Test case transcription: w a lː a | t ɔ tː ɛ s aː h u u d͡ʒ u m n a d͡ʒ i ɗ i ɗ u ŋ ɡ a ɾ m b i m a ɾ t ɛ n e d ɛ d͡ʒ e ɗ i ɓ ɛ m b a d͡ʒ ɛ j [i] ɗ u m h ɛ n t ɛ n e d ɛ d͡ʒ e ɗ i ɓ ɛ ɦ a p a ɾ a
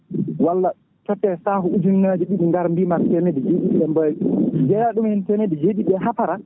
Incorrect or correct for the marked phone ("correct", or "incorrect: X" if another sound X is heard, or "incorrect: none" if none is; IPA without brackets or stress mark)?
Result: incorrect: a